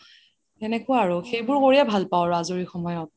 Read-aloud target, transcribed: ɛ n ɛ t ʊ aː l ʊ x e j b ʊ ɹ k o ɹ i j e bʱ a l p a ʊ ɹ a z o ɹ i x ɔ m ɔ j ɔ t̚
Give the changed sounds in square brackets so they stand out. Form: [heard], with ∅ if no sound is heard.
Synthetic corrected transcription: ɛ n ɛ [k] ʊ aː [ɹ] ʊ x e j b ʊ ɹ k o ɹ i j [a] bʱ a l p a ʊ ɹ a z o ɹ i x ɔ m ɔ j ɔ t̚

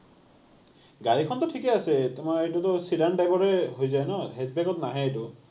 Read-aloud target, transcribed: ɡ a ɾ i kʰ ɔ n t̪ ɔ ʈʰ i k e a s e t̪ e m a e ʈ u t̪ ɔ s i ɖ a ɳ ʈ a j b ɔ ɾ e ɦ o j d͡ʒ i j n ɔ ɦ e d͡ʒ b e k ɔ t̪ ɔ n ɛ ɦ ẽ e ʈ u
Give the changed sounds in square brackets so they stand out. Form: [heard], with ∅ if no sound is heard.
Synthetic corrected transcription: ɡ a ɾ i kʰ ɔ n t̪ ɔ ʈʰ i k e a s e t̪ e m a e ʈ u t̪ ɔ s i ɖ a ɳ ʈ a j b ɔ ɾ e ɦ o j d͡ʒ [a] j n ɔ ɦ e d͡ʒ b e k ɔ t̪ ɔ n [a] ɦ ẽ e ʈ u

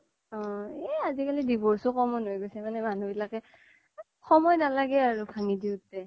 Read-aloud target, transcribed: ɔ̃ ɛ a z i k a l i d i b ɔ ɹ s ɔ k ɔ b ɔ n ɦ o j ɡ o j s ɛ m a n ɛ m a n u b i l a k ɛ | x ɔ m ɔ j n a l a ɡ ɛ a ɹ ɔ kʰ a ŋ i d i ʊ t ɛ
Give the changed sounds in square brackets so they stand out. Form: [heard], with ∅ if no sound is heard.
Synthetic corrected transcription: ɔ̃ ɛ a z i k a l i d i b ɔ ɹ s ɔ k ɔ [m] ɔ n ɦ o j ɡ o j s ɛ m a n ɛ m a n u b i l a k ɛ | x ɔ m ɔ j n a l a ɡ ɛ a ɹ [u] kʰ a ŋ i d i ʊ t ɛ

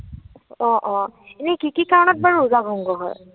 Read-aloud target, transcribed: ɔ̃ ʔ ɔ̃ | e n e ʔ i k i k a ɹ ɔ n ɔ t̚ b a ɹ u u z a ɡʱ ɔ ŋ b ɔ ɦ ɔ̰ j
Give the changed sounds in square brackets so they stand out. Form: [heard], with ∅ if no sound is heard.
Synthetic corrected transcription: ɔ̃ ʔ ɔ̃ | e n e [k] i k i k a ɹ ɔ n ɔ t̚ b a ɹ u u z a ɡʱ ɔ ŋ [ɡ] ɔ ɦ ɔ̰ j

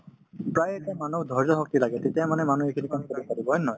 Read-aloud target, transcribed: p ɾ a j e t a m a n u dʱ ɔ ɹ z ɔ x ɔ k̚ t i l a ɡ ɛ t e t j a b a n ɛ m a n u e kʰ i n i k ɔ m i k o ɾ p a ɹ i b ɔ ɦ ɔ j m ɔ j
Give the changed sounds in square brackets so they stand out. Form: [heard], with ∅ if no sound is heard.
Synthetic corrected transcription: p [ɹ] a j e t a m a n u dʱ ɔ ɹ z ɔ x ɔ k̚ t i l a ɡ ɛ t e t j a [m] a n ɛ m a n u e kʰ i n i k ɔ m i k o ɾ p a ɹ i b ɔ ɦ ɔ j [n] ɔ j

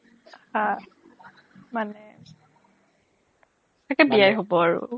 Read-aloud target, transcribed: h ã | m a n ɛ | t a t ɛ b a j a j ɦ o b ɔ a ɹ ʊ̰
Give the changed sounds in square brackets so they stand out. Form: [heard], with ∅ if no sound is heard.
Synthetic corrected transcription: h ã | m a n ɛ | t a [k] ɛ b [i] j a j ɦ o b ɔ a ɹ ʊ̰

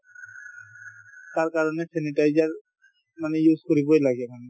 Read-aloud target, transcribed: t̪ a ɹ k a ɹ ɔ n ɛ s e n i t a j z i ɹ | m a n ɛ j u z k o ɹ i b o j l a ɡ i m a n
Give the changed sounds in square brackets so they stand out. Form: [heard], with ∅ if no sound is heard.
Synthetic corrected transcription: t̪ a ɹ k a ɹ ɔ n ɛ s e n i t a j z [a] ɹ | m a n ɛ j u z k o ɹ i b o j l a ɡ [ɛ] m a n

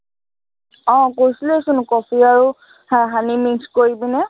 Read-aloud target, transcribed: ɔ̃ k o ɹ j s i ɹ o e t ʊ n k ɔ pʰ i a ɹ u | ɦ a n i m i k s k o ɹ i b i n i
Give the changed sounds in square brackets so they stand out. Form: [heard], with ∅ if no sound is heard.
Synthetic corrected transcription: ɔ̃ k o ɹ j s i [l] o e [s] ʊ n k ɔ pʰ i a ɹ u | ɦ a n i m i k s k o ɹ i b i n [ɛ]

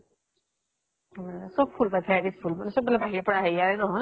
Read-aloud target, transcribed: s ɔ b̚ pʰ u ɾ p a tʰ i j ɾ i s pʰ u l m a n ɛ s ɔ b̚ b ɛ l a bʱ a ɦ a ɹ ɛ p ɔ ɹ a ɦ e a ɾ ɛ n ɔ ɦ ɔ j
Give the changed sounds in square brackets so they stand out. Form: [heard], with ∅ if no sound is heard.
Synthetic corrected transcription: s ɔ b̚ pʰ u [l] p a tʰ [a] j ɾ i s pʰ u l m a n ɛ s ɔ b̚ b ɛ l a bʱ a ɦ [i] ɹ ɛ p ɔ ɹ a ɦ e a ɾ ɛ n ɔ ɦ ɔ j

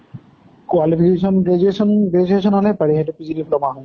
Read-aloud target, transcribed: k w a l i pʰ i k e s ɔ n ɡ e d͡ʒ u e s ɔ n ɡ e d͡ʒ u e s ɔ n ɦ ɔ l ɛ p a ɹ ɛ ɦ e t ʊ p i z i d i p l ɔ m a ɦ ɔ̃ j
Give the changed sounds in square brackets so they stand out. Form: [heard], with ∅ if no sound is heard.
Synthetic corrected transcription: k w a l i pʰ i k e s ɔ n ɡ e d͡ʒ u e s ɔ n ɡ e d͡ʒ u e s ɔ n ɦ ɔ l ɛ p a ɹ [i] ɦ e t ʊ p i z i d i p l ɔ m a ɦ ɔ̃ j

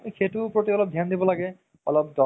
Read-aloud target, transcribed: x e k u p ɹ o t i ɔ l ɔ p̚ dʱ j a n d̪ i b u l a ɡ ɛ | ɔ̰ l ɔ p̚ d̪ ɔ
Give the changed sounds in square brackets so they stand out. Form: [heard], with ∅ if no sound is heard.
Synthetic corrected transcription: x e [t] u p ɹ o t i ɔ l ɔ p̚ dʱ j a n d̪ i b [ɔ] l a ɡ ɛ | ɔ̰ l ɔ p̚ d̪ ɔ

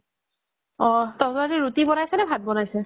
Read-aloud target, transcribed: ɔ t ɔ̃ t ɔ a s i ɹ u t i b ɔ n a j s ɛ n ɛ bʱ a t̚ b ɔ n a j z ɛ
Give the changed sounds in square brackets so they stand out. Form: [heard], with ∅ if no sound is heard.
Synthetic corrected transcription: ɔ t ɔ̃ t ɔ a [z] i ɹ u t i b ɔ n a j s ɛ n ɛ bʱ a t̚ b ɔ n a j [s] ɛ

